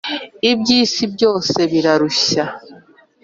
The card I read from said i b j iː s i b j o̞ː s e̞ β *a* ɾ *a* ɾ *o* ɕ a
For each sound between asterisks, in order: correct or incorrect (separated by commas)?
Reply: incorrect, correct, incorrect